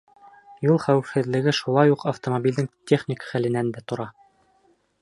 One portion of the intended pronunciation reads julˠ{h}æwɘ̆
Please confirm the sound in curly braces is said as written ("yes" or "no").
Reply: no